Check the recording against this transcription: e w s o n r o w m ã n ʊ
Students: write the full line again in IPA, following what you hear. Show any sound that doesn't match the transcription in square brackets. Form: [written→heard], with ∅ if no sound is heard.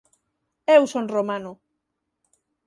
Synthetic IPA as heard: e w s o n r o [w→∅] m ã n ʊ